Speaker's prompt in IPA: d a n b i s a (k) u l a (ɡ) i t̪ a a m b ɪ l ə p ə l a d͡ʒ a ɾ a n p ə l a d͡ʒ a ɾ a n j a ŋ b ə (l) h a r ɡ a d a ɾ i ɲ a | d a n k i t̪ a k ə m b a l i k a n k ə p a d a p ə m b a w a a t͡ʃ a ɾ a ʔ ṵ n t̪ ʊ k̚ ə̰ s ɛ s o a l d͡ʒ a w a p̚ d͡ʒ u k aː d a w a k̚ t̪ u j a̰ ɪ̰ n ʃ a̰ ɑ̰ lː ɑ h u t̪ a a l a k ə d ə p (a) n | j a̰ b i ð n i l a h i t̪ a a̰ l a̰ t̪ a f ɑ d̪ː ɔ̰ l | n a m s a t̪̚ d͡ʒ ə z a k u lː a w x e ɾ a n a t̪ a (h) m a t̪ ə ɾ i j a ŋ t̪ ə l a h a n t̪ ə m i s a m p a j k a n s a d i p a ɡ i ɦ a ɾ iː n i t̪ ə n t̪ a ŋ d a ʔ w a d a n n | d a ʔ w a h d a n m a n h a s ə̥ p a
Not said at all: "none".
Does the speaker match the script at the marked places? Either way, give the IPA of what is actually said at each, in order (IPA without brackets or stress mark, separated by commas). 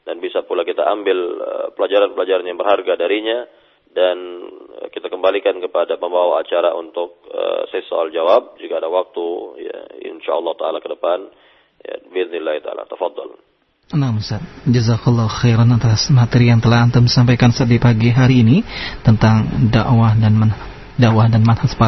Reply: p, k, r, a, s